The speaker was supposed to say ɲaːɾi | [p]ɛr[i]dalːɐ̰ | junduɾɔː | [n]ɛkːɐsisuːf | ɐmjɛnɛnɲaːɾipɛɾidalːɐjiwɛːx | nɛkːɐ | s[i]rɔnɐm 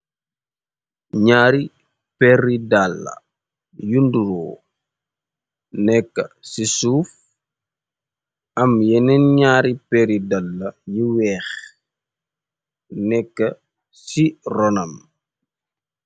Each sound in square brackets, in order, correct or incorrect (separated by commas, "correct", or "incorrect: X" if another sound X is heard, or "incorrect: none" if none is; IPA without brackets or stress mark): correct, correct, correct, correct